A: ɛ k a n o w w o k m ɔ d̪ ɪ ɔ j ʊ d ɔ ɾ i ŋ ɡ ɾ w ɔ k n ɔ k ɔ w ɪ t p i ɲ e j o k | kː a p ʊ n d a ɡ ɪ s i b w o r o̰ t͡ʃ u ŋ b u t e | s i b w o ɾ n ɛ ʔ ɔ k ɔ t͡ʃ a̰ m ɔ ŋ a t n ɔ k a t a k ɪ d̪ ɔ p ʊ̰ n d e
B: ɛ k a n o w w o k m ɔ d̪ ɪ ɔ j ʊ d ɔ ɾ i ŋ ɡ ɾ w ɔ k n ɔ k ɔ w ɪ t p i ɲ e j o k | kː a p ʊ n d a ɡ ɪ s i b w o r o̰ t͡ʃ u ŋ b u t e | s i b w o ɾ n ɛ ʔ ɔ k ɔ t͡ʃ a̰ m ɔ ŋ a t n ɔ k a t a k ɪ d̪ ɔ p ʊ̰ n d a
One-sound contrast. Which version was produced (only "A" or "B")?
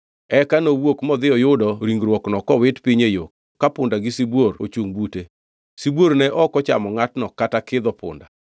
B